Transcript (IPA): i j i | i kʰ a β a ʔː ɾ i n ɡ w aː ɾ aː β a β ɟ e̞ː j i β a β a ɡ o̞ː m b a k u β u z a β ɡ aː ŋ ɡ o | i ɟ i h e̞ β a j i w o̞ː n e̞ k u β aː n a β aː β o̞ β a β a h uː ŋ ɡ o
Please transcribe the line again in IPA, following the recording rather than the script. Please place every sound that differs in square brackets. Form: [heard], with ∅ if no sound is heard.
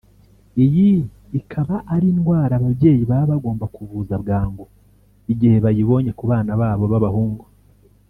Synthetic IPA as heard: i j i | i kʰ a β a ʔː ɾ i n ɡ w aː ɾ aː β a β ɟ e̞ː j i β a β a ɡ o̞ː m b a k u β u z a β ɡ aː ŋ ɡ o | i ɟ i h e̞ β a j i [β] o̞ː [ɲ] e̞ k u β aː n a β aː β o̞ β a β a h uː ŋ ɡ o